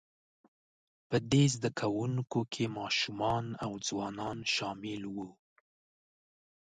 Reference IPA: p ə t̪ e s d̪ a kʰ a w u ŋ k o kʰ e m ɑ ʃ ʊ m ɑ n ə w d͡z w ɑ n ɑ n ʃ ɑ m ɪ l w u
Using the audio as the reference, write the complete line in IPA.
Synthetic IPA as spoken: p ə d̪ e z d̪ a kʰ a w u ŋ k o kʰ e m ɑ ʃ u m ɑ n a w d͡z w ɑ n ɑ n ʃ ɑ m ɪ l w u